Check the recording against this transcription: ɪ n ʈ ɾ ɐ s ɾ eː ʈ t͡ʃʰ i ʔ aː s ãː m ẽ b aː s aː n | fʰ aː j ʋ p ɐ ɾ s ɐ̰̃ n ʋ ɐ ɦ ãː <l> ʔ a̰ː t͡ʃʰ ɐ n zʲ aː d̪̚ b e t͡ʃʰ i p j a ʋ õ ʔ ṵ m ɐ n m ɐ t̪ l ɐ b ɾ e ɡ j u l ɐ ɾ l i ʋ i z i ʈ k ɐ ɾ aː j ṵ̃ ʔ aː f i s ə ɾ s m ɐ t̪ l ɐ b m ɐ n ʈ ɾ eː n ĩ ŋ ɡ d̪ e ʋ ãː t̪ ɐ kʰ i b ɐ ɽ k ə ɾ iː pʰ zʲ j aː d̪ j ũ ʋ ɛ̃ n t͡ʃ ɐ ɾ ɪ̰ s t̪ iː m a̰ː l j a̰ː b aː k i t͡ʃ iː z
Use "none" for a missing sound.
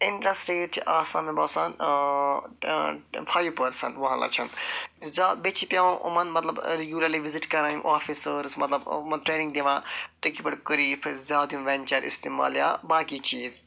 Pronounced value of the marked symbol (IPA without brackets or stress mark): l